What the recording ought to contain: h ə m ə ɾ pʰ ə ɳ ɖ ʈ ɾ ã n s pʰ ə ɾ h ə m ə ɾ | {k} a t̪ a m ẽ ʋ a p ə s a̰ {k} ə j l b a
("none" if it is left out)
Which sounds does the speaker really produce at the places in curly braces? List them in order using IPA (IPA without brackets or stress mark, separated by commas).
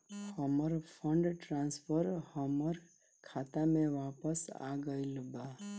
kʰ, ɡ